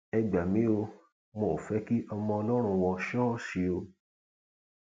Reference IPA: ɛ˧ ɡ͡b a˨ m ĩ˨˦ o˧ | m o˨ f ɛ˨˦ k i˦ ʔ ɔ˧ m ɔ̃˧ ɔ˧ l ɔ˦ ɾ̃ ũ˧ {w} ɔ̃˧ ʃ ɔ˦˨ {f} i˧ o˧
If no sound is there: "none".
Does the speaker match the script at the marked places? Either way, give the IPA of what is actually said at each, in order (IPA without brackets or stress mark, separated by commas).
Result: w, ʃ